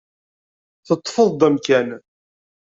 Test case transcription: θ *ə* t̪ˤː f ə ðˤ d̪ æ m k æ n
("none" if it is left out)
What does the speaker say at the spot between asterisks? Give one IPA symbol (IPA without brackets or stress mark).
ə